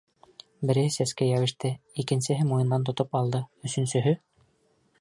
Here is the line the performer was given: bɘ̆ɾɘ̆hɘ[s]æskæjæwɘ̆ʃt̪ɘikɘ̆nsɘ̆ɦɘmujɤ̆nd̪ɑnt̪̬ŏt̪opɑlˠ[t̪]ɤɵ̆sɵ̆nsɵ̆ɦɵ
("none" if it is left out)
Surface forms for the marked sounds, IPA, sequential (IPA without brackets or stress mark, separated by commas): s, d̪